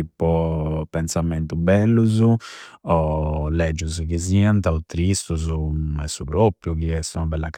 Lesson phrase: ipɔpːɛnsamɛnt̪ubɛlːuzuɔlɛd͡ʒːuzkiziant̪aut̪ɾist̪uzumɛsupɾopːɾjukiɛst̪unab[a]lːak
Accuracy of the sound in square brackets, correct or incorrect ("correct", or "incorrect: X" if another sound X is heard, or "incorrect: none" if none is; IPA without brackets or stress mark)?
incorrect: ɛ